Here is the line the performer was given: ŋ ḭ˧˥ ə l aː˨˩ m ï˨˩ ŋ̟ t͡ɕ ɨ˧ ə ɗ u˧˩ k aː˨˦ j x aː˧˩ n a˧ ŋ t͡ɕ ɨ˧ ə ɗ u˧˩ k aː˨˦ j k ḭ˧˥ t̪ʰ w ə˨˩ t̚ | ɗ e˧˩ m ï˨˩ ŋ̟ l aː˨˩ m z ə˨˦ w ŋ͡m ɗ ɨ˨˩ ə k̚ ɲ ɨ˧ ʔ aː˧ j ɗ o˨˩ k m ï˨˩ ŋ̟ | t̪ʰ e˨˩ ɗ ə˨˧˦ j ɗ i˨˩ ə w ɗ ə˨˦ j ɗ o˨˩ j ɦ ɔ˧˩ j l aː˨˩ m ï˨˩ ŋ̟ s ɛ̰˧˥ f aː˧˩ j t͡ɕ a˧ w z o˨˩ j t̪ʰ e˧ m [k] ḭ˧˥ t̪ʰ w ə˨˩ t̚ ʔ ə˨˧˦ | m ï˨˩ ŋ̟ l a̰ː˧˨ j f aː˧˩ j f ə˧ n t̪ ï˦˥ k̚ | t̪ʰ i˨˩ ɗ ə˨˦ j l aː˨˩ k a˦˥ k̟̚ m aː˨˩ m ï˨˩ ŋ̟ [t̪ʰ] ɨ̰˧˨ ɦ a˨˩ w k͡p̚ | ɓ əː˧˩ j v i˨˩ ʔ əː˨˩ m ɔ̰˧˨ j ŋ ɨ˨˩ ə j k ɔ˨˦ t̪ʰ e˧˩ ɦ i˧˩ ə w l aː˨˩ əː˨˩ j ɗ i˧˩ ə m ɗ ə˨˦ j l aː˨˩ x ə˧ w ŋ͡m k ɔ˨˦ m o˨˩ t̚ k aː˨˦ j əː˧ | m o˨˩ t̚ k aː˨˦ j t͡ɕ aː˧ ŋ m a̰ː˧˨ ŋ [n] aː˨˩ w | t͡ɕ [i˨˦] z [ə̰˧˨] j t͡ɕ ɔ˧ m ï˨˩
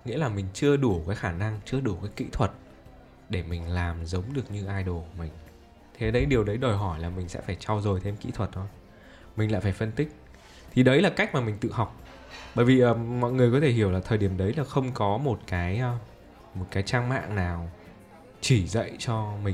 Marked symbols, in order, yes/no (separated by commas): yes, no, yes, no, yes